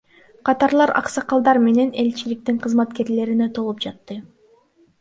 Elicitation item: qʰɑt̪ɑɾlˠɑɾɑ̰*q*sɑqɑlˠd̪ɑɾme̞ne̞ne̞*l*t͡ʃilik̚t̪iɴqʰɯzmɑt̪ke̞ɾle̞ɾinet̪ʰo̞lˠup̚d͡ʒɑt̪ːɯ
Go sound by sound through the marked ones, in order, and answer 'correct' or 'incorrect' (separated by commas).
correct, correct